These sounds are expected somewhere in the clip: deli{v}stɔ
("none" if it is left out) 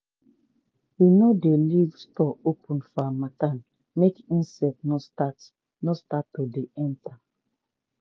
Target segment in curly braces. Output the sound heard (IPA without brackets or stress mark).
v